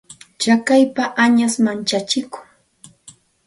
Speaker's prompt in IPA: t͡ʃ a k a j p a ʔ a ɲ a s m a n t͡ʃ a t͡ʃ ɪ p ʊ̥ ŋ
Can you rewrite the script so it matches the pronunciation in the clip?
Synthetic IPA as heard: t͡ʃ a k a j p a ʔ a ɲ a s m a n t͡ʃ a t͡ʃ ɪ k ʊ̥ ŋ